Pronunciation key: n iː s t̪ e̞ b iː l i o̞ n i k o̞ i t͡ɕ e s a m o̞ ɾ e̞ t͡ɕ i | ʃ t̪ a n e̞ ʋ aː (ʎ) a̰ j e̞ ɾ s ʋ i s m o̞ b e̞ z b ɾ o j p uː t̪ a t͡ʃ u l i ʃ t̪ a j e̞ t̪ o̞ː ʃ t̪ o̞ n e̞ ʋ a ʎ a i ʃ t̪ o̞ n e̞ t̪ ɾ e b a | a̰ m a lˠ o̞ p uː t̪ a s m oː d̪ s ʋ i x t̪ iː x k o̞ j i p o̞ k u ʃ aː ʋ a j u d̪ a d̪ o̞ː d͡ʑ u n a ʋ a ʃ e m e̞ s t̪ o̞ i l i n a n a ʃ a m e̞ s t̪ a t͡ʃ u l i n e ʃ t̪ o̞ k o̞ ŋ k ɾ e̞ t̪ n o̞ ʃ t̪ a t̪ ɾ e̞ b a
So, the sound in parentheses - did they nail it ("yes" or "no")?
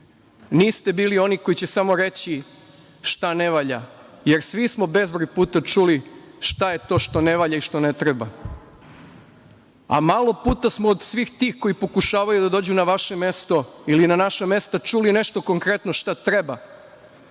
yes